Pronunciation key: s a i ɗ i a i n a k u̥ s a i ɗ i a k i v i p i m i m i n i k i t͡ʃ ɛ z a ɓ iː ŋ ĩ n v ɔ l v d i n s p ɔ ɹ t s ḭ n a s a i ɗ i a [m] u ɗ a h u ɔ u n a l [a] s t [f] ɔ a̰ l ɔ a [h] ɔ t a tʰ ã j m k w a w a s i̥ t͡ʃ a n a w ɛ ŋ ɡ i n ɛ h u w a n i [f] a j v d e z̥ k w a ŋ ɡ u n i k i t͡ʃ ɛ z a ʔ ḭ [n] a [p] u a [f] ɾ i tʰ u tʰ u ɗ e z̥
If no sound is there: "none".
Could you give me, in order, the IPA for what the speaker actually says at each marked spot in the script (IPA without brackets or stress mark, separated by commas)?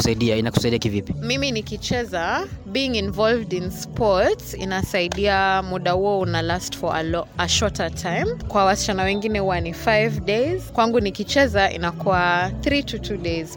m, a, f, ʃ, f, n, k, θ